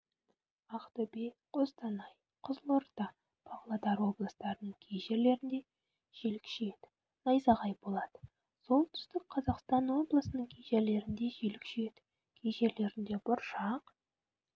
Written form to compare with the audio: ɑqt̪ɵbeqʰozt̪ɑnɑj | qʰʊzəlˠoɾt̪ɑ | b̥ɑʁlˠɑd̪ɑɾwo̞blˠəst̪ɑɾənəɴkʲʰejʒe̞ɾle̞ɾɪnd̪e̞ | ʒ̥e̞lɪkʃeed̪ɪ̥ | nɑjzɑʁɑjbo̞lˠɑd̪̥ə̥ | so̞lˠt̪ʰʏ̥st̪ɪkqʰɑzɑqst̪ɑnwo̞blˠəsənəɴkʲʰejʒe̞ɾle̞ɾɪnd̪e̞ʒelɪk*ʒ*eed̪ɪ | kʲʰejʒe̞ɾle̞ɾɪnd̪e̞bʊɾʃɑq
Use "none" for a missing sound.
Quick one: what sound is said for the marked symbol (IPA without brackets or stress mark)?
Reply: ʃ